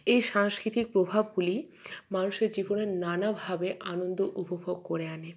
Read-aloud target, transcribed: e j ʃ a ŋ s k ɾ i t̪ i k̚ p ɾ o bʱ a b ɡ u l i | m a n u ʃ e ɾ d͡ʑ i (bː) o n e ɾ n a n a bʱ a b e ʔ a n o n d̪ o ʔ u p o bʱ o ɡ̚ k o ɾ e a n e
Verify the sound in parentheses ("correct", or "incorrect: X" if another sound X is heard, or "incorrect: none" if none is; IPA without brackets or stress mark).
incorrect: b